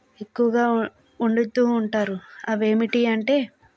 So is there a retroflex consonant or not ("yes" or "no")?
yes